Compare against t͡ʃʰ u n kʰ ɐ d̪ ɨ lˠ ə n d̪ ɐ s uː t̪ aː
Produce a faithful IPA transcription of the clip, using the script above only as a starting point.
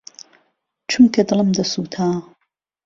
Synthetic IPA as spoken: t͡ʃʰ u m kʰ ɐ d̪ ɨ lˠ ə m d̪ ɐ s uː t̪ʰ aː